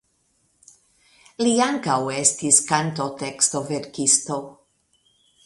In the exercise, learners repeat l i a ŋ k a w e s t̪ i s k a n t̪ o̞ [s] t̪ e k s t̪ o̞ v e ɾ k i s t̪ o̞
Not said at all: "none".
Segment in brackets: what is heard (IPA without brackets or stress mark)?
none